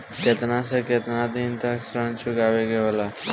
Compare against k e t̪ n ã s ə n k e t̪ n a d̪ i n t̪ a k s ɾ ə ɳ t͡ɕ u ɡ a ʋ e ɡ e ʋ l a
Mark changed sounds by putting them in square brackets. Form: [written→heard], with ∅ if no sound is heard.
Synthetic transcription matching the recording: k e t̪ n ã s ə [n→∅] k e t̪ n a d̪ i n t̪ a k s ɾ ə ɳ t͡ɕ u ɡ a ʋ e ɡ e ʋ l a